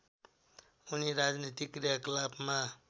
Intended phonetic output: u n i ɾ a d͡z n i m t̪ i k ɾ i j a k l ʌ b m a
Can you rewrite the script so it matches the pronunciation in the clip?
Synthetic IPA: u n i ɾ a d͡z n i t̪ i k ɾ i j a k l a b m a